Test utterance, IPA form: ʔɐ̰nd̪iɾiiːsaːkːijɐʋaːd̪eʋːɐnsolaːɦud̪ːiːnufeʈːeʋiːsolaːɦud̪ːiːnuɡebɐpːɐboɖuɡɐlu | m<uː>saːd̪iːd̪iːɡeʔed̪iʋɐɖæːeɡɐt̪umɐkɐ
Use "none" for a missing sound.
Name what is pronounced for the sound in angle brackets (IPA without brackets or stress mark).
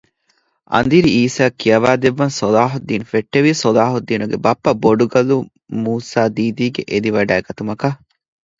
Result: uː